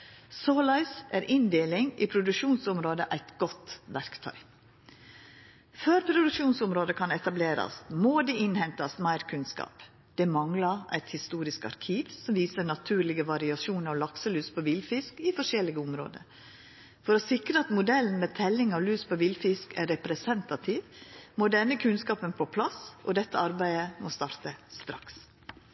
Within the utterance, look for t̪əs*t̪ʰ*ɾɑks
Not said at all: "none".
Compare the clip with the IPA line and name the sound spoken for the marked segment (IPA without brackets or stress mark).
t̪